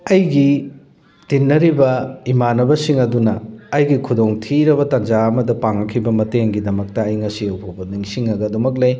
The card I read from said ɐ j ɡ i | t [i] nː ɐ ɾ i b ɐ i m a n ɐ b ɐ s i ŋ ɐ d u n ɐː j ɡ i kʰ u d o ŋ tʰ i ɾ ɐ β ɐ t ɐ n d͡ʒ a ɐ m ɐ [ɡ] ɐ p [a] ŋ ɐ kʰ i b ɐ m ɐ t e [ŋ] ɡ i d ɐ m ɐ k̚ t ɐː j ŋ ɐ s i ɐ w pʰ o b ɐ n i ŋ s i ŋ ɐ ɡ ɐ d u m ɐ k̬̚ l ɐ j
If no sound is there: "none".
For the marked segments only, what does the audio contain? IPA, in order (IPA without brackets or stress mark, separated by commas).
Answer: i, d, a, ŋ